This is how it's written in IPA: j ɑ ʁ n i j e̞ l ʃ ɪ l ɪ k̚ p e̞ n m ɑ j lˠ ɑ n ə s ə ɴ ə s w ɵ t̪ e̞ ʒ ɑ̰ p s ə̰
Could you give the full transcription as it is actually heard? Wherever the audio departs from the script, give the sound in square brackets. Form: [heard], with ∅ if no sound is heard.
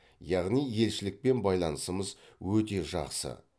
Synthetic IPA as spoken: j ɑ ʁ n i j e̞ l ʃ ɪ l ɪ k̚ p e̞ n [b] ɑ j lˠ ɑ n ə s ə [m] ə [z] w ɵ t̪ e̞ ʒ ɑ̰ [q] s ə̰